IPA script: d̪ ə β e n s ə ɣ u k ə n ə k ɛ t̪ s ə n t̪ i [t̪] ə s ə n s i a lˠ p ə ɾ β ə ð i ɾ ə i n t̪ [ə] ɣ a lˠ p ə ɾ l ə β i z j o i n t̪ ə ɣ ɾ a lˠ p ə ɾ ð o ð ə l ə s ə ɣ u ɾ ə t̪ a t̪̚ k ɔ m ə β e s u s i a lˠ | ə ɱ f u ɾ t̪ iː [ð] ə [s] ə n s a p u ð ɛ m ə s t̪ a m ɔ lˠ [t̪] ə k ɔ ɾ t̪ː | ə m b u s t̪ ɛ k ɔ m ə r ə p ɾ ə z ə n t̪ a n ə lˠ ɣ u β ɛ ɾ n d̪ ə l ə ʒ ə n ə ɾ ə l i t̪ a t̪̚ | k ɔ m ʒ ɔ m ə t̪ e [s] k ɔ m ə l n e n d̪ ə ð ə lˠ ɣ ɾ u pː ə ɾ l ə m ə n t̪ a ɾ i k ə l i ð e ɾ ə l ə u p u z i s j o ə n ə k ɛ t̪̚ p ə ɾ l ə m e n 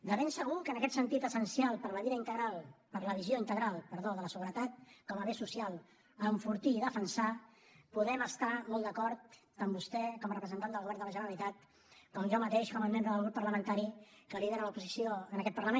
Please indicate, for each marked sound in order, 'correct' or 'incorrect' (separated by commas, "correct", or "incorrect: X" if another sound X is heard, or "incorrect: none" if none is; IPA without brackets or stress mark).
correct, correct, correct, incorrect: f, incorrect: d̪, incorrect: ʃ